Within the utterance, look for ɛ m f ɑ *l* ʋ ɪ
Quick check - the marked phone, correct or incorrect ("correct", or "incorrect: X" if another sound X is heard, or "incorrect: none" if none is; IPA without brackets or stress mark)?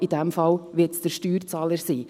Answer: correct